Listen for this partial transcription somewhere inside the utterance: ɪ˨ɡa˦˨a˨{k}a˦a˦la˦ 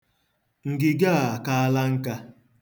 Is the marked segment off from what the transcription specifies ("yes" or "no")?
no